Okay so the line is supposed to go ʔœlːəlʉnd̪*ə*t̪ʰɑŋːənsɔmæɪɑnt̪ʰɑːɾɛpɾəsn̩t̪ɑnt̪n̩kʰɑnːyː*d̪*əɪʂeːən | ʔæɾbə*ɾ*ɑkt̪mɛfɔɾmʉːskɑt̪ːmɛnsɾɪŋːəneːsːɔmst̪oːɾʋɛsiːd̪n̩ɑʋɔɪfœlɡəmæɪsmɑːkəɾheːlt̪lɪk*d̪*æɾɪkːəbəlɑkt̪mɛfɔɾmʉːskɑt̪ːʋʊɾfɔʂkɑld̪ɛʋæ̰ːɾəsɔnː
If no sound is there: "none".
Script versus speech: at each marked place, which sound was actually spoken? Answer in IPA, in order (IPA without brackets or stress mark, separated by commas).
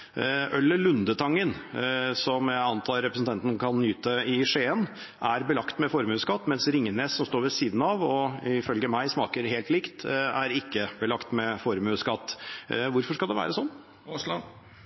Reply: ə, t̪, l, t̪